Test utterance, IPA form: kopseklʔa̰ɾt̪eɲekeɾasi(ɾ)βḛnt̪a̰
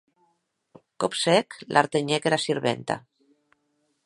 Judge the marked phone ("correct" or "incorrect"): correct